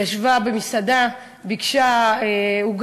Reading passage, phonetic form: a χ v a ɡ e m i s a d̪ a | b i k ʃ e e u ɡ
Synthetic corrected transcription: a ʃ v a b e m i s a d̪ a | b i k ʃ a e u ɡ